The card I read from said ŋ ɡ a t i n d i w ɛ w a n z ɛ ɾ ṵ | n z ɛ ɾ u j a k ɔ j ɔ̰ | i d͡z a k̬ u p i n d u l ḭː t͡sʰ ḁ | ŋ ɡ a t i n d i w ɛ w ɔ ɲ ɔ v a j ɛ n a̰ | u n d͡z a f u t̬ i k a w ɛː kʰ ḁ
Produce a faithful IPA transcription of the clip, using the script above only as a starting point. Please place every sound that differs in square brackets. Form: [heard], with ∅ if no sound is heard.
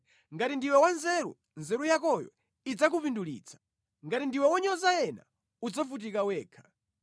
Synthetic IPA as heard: ŋ ɡ a t i n d i w ɛ w a n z ɛ ɾ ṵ | n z ɛ ɾ u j a k ɔ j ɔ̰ | i d͡z a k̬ u p i n d u l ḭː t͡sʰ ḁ | ŋ ɡ a t i n d i w ɛ w ɔ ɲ ɔ [z] a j ɛ n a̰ | u [∅] d͡z a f u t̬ i k a w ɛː kʰ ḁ